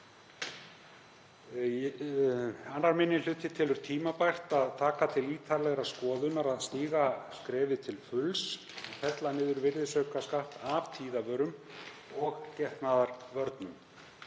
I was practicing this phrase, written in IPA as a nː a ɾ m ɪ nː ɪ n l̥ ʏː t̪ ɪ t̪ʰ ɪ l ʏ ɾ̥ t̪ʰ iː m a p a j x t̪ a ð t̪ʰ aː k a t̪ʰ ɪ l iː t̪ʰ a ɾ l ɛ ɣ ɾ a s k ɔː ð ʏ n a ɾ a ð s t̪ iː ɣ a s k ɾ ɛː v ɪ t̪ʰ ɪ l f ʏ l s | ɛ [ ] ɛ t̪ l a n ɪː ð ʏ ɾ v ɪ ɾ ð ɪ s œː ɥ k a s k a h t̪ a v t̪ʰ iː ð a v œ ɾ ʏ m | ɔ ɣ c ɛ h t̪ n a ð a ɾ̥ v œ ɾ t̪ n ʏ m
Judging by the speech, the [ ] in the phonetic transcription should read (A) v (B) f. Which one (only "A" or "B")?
B